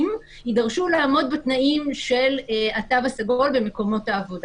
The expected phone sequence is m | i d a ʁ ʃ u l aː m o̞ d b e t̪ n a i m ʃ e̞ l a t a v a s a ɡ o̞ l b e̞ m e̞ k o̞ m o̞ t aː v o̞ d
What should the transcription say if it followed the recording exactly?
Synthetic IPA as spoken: m | i d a ʁ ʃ u l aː m o̞ d b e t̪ n a i m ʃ e̞ l a t a v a s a ɡ o̞ l b e̞ m e̞ k o̞ m o̞ t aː v o̞ d